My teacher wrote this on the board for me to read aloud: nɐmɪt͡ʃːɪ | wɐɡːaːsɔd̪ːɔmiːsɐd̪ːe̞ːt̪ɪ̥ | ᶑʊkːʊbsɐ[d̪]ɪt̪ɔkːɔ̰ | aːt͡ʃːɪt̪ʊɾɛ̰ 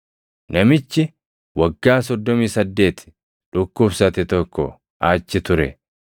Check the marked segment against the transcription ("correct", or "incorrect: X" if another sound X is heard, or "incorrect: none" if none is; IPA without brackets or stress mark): incorrect: t̪